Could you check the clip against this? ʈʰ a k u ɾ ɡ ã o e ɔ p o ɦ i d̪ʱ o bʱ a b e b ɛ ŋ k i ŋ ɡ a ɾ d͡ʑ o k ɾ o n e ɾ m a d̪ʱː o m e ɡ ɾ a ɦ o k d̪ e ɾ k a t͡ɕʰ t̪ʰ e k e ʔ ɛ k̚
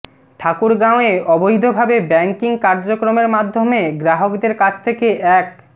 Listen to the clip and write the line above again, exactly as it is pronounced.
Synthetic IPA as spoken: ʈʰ a k u ɾ ɡ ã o e ɔ b o ɦ i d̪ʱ o bʱ a b e b ɛ ŋ k i ŋ k a ɾ d͡ʑ o k ɾ o m e ɾ m a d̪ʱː o m e ɡ ɾ a ɦ o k d̪ e ɾ k a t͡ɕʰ t̪ʰ e k e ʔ ɛ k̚